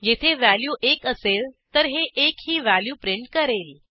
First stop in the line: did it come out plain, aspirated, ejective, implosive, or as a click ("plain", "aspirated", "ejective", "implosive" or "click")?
aspirated